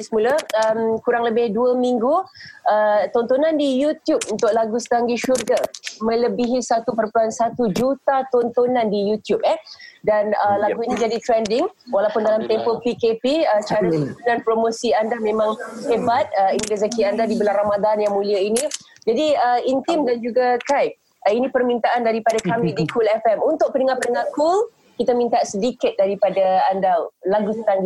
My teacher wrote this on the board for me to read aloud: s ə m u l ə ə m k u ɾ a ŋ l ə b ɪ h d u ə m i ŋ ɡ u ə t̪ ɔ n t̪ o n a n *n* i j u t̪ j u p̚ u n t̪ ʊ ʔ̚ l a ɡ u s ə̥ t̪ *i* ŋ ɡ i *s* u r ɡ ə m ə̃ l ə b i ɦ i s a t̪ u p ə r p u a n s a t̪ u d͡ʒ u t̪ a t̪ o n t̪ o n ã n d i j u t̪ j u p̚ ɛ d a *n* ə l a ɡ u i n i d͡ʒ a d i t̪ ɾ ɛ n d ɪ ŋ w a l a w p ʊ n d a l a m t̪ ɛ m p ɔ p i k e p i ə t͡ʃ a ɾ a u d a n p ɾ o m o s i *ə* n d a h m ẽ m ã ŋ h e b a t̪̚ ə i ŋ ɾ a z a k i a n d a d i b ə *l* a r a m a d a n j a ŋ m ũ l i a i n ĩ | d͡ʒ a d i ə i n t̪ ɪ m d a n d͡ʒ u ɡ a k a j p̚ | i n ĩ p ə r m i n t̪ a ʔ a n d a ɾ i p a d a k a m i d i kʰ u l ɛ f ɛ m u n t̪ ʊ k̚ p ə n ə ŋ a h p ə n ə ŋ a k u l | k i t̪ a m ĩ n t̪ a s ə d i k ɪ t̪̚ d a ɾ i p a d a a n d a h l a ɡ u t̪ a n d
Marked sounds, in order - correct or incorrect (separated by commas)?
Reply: incorrect, incorrect, incorrect, correct, incorrect, correct